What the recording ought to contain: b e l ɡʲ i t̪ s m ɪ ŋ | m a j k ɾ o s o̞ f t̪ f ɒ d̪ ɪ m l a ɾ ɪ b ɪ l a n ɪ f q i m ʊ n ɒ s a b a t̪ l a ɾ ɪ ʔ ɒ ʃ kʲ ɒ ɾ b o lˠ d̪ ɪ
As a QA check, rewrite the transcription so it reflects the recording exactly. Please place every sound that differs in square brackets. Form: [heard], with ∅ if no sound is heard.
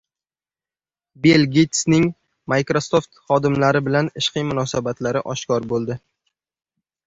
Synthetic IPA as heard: b e l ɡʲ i t̪ s [n] ɪ ŋ | m a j k ɾ o s o̞ f t̪ [χ] ɒ d̪ ɪ m l a ɾ ɪ b ɪ l a n ɪ [ʃ] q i m ʊ n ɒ s a b a t̪ l a ɾ ɪ ʔ ɒ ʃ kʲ ɒ ɾ b o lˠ d̪ ɪ